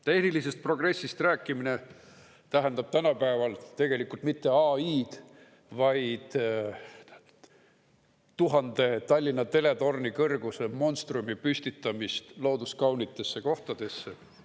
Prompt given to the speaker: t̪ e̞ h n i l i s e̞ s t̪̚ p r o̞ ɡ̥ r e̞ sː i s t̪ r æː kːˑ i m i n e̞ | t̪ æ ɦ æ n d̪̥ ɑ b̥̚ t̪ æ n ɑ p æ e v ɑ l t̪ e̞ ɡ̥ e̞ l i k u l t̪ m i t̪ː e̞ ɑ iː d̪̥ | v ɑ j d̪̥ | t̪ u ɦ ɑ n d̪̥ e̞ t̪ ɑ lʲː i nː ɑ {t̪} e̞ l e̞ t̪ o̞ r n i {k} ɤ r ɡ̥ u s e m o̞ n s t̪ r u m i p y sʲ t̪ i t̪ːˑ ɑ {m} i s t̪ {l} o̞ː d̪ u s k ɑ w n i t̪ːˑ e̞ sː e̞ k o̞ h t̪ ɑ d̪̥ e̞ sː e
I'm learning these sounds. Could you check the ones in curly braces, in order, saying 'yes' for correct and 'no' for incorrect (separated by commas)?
yes, yes, yes, yes